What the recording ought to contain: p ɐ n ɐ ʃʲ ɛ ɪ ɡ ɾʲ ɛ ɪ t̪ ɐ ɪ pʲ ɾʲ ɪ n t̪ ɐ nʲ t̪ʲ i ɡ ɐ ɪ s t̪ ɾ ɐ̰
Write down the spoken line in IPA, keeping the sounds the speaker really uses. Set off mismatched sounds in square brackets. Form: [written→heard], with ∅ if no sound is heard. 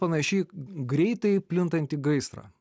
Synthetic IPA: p ɐ n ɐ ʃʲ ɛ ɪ ɡ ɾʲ ɛ ɪ t̪ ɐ ɪ pʲ [ɾʲ→lʲ] ɪ n t̪ ɐ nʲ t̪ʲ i ɡ ɐ ɪ s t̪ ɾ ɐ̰